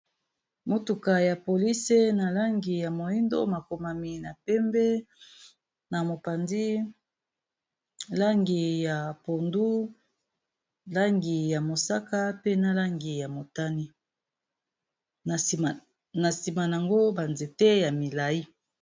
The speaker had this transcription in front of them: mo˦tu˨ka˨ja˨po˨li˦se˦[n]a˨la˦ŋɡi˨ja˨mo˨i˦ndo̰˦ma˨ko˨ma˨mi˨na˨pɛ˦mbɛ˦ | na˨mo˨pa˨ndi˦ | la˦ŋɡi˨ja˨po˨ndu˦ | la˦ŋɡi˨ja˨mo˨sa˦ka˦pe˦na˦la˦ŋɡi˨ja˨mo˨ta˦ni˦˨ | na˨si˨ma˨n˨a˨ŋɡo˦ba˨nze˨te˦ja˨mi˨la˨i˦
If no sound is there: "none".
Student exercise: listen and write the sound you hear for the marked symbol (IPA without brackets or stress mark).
n